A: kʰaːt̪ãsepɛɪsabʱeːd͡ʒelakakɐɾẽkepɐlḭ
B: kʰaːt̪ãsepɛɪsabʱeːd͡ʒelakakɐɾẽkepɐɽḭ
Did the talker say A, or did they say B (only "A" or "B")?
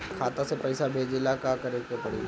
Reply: B